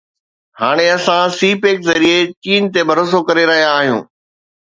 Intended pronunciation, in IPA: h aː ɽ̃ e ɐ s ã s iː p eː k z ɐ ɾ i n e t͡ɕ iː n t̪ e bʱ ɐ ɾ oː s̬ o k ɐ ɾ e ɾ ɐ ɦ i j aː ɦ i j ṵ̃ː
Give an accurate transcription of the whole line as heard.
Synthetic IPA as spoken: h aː ɽ̃ e ɐ s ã s iː p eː k z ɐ ɾ i e t͡ɕ iː n t̪ e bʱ ɐ ɾ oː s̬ o k ɐ ɾ e ɾ ɐ ɦ i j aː ɦ i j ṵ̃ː